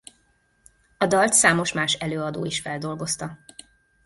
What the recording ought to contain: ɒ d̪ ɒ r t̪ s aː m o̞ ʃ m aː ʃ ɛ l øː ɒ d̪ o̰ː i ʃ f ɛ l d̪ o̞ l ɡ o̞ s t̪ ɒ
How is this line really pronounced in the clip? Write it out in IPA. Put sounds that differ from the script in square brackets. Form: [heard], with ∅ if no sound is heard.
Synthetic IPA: ɒ d̪ ɒ [l] t̪ s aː m o̞ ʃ m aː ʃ ɛ l øː ɒ d̪ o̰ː i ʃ f ɛ l d̪ o̞ l ɡ o̞ s t̪ ɒ